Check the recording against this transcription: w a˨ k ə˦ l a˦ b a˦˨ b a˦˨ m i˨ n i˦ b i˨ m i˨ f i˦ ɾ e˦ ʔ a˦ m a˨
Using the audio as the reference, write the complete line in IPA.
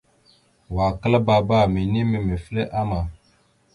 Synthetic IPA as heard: w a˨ k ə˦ l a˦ b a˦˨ b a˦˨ m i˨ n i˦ m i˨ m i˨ f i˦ l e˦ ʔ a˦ m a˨